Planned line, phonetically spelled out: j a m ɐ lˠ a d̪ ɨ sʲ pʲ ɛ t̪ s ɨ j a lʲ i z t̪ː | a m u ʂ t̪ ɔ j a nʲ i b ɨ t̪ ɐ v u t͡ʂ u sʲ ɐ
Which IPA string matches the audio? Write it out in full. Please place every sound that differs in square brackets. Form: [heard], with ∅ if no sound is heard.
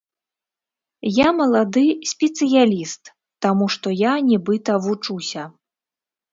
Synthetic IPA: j a m ɐ lˠ a d̪ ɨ sʲ pʲ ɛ t̪ s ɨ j a lʲ i [s] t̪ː | a m u ʂ t̪ ɔ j a nʲ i b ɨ t̪ ɐ v u t͡ʂ u sʲ ɐ

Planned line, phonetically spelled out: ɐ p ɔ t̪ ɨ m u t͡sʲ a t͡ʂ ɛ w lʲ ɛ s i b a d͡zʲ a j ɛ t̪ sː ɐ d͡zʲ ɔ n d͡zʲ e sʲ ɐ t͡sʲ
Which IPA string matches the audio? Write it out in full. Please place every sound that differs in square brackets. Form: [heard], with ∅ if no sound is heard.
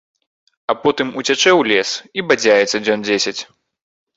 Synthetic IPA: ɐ p ɔ t̪ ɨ m u t͡sʲ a t͡ʂ ɛ w lʲ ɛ s i b a d͡zʲ a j ɛ t̪ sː ɐ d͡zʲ ɔ n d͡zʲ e sʲ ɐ t͡sʲ

